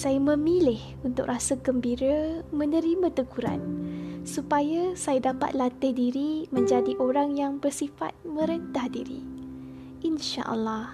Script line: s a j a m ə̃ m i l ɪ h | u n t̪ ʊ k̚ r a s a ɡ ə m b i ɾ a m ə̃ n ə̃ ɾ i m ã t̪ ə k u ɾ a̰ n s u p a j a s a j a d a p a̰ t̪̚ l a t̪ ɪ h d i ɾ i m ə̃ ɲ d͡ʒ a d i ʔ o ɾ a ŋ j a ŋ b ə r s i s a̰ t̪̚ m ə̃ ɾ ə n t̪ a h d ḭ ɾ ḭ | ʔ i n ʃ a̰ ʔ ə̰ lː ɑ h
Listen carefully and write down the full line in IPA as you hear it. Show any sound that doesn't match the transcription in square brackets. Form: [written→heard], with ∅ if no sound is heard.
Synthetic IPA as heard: s a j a m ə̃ m i l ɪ h | u n t̪ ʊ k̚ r a s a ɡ ə m b i ɾ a m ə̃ n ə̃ ɾ i m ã t̪ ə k u ɾ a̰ n s u p a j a s a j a d a p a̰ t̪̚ l a t̪ ɪ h d i ɾ i m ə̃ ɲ d͡ʒ a d i ʔ o ɾ a ŋ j a ŋ b ə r s i [s→f] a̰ t̪̚ m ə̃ ɾ ə n t̪ a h d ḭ ɾ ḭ | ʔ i n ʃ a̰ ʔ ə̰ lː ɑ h